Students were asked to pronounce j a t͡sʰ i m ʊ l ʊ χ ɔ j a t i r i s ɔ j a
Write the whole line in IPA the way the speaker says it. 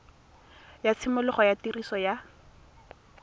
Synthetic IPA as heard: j a t͡sʰ ɪ m ʊ l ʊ χ ɔ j a t i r i s ɔ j a